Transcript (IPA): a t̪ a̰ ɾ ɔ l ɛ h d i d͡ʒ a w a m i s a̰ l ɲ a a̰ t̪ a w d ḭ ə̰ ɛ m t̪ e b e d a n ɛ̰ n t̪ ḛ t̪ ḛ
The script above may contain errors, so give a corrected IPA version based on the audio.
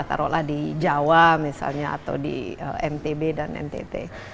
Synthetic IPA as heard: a t̪ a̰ ɾ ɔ l a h d i d͡ʒ a w a m i s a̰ l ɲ a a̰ t̪ a w d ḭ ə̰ ɛ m t̪ e b e d a n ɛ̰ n t̪ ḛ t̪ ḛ